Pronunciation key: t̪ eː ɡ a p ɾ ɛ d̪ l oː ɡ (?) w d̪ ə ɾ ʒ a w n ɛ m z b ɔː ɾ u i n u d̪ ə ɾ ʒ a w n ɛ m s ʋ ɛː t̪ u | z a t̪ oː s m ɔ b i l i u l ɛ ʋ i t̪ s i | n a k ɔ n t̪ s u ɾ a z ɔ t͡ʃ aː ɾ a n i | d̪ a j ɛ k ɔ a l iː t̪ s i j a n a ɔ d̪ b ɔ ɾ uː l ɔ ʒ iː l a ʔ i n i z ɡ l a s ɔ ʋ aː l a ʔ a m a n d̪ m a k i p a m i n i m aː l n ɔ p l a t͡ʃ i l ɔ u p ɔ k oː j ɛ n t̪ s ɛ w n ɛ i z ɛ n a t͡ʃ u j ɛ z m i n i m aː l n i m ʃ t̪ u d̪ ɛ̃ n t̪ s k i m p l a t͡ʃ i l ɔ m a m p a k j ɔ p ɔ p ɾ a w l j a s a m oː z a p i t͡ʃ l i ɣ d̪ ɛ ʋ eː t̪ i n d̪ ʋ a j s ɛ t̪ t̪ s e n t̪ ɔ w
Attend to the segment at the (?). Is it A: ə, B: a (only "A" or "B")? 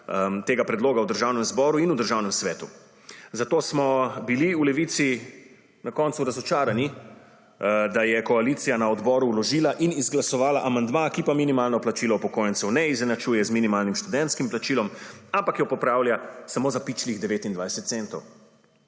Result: B